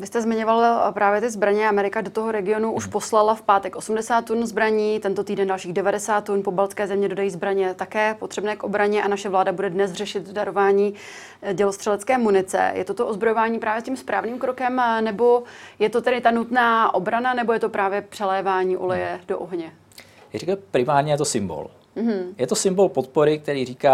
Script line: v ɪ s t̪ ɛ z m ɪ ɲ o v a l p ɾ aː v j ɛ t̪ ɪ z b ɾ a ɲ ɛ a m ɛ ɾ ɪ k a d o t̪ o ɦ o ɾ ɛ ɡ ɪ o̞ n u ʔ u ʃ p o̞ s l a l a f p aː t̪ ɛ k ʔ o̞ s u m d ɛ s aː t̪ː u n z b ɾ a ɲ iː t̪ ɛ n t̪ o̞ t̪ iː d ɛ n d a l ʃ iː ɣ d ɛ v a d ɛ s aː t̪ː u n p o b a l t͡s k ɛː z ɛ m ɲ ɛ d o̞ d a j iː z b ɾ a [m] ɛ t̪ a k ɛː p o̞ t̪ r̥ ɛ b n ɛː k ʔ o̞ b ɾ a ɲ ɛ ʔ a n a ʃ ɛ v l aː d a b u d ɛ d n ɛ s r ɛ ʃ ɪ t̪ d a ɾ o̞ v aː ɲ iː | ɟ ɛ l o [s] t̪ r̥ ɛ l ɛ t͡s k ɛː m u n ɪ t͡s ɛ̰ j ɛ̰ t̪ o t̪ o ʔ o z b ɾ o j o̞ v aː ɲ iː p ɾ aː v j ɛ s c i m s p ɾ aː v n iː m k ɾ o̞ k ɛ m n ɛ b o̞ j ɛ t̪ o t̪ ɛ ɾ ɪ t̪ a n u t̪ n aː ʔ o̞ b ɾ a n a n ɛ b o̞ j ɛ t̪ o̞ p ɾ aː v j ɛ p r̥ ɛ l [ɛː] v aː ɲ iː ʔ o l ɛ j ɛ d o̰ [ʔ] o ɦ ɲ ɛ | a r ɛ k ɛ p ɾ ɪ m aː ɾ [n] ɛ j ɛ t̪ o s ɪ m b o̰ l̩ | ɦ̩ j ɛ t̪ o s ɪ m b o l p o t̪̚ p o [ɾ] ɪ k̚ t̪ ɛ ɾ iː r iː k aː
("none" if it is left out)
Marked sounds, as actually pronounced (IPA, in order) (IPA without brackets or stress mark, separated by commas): ɲ, s, ɛː, ʔ, ɲ, ɾ